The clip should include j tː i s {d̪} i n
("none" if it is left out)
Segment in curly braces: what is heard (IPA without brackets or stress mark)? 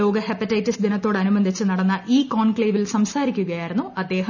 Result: d̪